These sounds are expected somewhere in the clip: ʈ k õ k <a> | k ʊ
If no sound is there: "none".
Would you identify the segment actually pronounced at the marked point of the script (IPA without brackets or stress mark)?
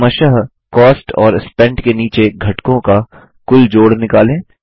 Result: a